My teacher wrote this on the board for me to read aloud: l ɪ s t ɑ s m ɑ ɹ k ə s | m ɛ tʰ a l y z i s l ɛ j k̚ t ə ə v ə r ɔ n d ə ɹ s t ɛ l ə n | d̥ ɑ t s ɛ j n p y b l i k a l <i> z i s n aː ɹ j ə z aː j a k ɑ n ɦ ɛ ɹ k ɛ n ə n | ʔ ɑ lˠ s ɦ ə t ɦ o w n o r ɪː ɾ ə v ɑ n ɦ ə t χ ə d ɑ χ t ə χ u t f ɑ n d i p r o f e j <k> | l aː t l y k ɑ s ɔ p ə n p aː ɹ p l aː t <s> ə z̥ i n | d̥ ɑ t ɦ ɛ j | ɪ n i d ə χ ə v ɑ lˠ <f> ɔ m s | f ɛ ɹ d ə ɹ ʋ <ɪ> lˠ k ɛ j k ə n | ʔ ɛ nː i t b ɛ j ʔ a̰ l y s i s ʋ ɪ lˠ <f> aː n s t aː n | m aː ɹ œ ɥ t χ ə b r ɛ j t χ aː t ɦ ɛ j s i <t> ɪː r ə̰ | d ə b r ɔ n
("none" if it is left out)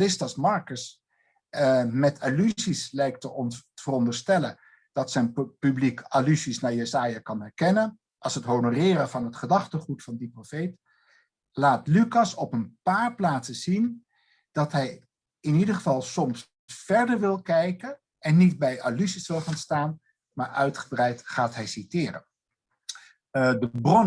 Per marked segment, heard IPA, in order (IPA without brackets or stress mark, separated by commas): y, t, s, s, ɪ, χ, t